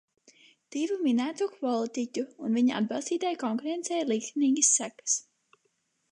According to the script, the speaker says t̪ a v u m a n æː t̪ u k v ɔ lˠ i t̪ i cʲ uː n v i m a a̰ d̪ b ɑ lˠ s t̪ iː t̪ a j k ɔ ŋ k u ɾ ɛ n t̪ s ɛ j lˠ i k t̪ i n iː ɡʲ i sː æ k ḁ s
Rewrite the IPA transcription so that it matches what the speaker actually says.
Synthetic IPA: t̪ i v u m i n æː t̪ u k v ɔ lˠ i t̪ i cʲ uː n v i ɲ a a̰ d̪ b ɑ lˠ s t̪ iː t̪ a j k ɔ ŋ k u ɾ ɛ n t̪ s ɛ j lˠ i k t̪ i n iː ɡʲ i sː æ k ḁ s